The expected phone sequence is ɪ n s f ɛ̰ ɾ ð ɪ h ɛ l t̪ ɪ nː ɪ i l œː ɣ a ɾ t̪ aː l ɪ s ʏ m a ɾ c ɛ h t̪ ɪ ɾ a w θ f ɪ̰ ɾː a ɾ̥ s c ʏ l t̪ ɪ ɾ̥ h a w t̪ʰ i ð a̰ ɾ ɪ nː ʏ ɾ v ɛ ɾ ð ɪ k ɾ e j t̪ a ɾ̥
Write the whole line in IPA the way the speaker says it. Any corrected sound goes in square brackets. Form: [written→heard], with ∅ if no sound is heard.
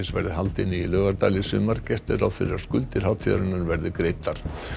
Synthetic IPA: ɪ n s [f→v] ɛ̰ ɾ ð ɪ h [ɛ→a] l t̪ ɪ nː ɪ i l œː ɣ a ɾ t̪ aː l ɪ s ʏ m a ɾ c ɛ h t̪ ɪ ɾ a w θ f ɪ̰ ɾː a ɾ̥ s [c→k] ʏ l t̪ ɪ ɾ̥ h a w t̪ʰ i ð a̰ ɾ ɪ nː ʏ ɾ v ɛ ɾ ð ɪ k ɾ e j t̪ a ɾ̥